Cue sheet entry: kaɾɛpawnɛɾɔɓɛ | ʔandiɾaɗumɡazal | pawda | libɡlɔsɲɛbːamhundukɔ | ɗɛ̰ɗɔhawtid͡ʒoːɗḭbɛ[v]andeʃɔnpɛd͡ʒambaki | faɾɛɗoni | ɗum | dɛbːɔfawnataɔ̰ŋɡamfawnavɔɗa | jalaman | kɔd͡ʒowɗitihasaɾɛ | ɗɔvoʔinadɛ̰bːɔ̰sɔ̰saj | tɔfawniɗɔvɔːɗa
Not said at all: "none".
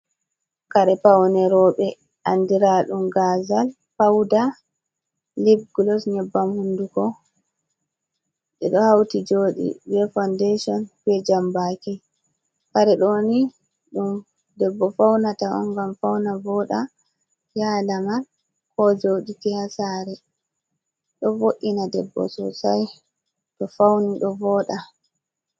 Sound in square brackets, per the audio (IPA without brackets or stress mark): f